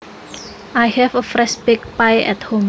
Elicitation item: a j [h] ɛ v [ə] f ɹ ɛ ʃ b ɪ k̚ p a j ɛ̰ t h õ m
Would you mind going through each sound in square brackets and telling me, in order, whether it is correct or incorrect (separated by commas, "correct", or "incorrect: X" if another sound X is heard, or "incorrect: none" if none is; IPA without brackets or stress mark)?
correct, correct